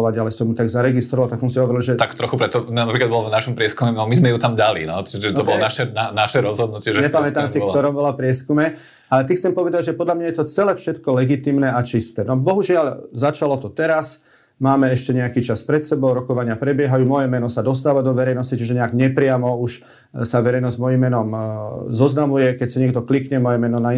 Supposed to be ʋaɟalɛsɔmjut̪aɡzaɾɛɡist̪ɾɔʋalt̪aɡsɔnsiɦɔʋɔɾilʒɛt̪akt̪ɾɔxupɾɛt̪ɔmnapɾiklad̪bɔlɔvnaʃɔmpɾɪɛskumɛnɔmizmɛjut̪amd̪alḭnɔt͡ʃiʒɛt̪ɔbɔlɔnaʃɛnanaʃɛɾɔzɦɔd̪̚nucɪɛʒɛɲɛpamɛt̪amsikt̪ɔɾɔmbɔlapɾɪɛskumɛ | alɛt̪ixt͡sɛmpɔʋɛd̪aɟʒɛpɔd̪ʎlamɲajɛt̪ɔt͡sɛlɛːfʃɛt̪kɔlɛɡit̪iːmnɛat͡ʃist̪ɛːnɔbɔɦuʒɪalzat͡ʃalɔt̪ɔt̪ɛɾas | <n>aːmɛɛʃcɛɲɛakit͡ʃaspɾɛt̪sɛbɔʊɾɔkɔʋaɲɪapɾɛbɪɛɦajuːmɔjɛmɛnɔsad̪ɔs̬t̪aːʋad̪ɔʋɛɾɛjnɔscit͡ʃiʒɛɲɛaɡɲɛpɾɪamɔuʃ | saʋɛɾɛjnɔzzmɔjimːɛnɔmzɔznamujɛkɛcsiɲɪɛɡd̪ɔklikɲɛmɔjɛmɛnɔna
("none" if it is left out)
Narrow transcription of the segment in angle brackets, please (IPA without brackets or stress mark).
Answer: m